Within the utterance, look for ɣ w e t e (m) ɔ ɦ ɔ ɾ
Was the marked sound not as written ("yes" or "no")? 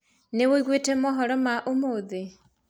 no